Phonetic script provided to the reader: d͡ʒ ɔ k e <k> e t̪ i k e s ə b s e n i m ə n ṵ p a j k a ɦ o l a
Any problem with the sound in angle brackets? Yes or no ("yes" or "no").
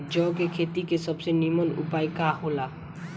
yes